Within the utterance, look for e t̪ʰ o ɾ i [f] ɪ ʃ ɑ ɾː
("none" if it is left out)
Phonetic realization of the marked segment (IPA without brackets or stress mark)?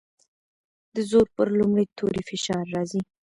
f